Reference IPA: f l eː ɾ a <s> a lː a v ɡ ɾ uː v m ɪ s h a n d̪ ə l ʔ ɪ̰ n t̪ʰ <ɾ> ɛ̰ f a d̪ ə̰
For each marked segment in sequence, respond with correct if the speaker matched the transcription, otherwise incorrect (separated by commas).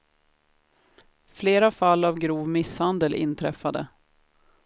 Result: incorrect, correct